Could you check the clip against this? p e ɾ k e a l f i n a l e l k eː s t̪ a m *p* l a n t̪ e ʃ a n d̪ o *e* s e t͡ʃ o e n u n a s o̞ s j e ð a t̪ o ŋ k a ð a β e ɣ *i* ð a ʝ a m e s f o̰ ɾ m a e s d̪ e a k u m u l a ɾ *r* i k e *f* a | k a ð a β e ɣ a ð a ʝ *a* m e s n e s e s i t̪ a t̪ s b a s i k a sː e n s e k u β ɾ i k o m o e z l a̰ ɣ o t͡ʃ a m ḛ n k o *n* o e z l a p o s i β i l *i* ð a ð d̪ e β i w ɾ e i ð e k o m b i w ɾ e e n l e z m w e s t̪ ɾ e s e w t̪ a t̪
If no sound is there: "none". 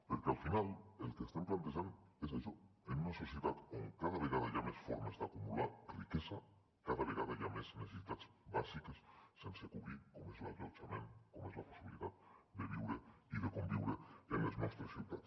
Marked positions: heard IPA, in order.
p, e, a, r, s, a, m, i

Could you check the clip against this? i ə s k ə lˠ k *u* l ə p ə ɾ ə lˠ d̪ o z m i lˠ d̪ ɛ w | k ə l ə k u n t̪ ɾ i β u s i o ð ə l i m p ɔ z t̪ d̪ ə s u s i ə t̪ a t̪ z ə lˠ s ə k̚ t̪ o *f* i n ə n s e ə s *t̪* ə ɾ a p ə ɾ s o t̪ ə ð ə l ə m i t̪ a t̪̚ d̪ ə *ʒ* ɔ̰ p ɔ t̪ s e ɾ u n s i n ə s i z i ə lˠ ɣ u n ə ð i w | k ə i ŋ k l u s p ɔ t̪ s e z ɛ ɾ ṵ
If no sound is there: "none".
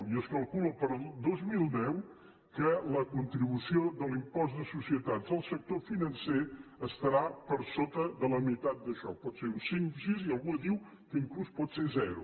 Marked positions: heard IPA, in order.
u, f, t̪, ʃ

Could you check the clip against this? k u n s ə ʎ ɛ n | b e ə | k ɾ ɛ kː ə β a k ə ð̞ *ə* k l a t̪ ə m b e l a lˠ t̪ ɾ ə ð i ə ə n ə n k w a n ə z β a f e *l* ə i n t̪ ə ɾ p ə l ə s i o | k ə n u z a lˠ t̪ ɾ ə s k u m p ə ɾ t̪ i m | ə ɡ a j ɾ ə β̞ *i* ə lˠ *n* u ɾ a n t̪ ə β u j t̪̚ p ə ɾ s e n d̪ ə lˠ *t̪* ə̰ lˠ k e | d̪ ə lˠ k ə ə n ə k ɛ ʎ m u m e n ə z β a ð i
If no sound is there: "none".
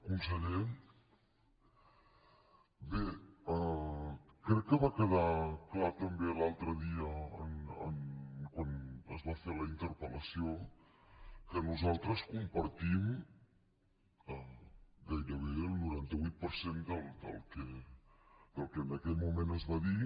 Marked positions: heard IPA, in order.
a, l, e, n, d̪

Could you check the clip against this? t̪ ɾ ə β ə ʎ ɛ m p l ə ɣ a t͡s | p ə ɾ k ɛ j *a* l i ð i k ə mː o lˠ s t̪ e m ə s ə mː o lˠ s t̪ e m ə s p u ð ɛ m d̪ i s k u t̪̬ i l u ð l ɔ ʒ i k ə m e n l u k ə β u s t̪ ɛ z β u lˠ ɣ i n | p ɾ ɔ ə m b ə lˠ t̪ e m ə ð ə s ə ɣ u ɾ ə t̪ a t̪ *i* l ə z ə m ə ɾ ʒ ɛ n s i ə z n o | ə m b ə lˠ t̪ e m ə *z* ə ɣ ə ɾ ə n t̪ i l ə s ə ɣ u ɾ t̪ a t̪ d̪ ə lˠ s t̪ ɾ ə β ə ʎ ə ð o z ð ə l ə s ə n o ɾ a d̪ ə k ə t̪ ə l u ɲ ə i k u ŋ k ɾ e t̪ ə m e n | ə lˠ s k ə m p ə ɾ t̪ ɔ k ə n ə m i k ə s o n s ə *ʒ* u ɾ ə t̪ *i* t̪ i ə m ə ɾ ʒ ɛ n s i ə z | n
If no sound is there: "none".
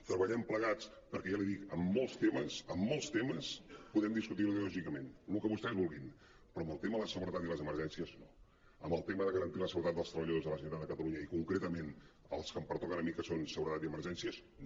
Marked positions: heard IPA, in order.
a, i, ð, ɣ, a

